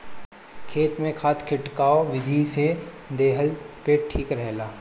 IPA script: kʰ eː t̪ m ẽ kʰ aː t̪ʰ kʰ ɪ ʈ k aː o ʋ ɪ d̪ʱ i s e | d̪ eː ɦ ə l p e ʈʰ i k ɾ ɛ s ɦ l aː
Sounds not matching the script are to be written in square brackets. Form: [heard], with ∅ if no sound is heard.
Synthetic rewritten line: kʰ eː t̪ m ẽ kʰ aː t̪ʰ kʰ ɪ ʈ k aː o ʋ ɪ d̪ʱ i s e | d̪ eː ɦ ə l p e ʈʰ [iː] k ɾ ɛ [∅] ɦ l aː